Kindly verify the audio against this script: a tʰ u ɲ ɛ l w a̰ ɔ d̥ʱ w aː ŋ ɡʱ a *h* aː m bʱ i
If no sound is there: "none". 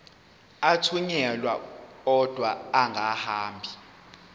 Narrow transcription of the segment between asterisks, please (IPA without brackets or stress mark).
h